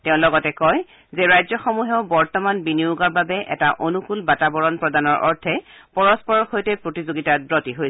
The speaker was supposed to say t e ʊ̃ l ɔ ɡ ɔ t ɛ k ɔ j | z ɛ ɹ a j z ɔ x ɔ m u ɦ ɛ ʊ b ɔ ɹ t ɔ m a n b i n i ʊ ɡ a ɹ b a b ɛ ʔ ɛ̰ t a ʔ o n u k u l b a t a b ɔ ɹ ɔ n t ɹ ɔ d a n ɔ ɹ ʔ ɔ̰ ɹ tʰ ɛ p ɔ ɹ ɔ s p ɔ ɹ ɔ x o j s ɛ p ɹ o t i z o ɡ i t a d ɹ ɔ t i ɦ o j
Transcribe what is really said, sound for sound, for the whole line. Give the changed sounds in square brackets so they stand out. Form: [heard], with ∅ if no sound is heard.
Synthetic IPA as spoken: t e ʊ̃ l ɔ ɡ ɔ t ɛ k ɔ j | z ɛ ɹ a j z ɔ x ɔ m u ɦ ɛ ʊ b ɔ ɹ t ɔ m a n b i n i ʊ ɡ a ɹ b a b ɛ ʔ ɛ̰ t a ʔ o n u k u l b a t a b ɔ ɹ ɔ n [p] ɹ ɔ d a n ɔ ɹ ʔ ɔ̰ ɹ tʰ ɛ p ɔ ɹ ɔ s p ɔ ɹ ɔ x o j [t] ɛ p ɹ o t i z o ɡ i t a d ɹ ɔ t i ɦ o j